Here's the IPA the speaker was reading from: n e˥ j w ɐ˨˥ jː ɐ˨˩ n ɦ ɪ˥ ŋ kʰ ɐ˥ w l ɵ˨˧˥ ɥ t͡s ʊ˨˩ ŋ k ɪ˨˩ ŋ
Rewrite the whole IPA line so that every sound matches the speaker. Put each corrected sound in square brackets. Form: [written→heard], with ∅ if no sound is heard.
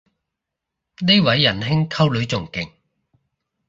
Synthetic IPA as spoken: n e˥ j w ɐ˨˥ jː ɐ˨˩ n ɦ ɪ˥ ŋ kʰ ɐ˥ w l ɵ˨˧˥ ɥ t͡s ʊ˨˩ ŋ k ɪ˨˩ ŋ